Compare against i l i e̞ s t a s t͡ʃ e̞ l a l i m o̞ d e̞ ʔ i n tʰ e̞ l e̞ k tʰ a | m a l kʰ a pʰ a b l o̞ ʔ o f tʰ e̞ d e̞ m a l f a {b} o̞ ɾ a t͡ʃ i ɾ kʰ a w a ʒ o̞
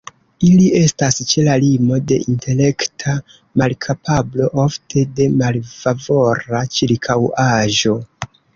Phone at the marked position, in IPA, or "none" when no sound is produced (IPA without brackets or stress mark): v